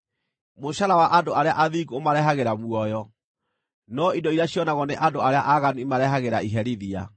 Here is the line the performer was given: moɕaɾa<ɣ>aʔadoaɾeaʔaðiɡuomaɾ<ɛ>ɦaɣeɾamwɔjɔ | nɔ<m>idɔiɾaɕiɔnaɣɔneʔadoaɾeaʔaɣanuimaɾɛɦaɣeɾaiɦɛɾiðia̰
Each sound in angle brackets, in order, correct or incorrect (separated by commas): incorrect, correct, incorrect